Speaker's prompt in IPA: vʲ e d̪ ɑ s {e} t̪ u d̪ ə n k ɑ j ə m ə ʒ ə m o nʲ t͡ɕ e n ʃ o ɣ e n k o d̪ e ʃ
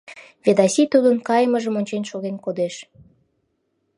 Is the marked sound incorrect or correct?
incorrect